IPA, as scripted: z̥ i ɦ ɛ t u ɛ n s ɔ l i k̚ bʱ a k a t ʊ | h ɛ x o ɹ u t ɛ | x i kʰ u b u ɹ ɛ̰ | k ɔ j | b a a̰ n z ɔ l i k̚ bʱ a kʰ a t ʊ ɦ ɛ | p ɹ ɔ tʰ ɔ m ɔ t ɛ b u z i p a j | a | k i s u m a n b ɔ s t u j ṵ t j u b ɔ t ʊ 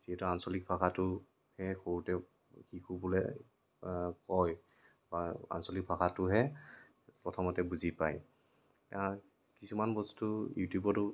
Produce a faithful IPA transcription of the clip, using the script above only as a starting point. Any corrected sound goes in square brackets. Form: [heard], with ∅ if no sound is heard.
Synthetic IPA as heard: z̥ i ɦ ɛ t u [a] n s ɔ l i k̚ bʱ a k a t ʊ | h ɛ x o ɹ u t ɛ | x i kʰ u b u [l] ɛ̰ | k ɔ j | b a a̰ n [s] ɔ l i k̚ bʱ a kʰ a t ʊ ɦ ɛ | p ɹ ɔ tʰ ɔ m ɔ t ɛ b u z i p a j | a | k i s u m a n b ɔ s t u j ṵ t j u b ɔ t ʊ